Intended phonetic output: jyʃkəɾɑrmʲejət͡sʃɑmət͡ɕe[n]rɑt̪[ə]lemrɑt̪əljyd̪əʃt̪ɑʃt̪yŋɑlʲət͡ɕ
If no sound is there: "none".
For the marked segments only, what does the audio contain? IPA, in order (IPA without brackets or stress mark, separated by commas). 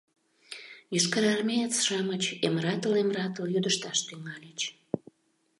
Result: m, ə